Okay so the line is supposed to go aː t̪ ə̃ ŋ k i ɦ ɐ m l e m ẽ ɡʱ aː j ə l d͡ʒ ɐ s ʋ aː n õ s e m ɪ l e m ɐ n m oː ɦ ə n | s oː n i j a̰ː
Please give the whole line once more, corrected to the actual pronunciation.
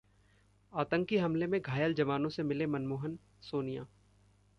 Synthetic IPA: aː t̪ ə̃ ŋ k i ɦ ɐ m l e m ẽ ɡʱ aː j ə l d͡ʒ ɐ ʋ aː n õ s e m ɪ l e m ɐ n m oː ɦ ə n | s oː n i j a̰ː